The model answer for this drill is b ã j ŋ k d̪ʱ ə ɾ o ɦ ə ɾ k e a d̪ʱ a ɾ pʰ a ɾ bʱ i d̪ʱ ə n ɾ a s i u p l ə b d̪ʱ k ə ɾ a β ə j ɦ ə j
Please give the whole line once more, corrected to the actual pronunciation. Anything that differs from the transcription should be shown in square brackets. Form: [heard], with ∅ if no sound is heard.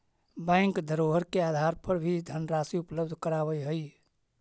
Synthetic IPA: b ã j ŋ k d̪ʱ ə ɾ o ɦ ə ɾ k e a d̪ʱ a ɾ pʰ [ə] ɾ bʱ i d̪ʱ ə n ɾ a s i u p l ə b d̪ʱ k ə ɾ a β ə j ɦ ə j